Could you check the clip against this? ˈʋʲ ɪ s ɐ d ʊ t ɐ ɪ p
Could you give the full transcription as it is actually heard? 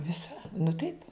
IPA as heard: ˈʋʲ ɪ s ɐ n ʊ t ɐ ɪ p